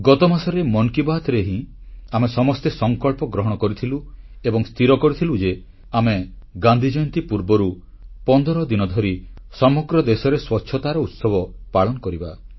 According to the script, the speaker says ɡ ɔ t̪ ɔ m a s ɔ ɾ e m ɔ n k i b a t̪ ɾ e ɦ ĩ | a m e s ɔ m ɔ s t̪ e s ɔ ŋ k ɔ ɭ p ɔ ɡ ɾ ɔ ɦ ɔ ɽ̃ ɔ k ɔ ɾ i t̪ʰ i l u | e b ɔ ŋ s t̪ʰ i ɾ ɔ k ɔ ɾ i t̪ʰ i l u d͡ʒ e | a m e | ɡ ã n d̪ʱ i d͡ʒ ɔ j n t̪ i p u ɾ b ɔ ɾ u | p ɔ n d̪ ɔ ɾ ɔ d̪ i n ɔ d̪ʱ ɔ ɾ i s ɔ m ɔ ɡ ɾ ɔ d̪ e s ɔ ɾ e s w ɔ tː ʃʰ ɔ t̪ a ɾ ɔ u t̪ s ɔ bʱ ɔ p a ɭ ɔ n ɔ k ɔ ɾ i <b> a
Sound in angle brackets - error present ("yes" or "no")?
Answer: no